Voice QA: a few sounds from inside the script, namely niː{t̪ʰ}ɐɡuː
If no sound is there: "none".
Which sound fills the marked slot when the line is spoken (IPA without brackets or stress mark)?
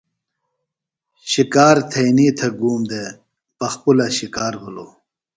t̪ʰ